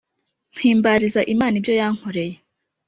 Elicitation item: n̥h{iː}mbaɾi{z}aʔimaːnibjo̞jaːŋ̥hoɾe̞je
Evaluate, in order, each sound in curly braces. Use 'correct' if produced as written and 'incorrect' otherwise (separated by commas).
correct, correct